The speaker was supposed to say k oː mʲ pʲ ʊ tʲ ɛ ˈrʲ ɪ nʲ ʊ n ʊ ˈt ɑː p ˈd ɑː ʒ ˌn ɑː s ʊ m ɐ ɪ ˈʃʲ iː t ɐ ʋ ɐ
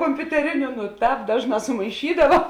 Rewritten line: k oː mʲ pʲ ʊ tʲ ɛ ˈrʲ ɪ nʲ ʊ n ʊ ˈt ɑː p ˈd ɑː ʒ ˌn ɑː s ʊ m ɐ ɪ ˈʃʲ iː d ɐ ʋ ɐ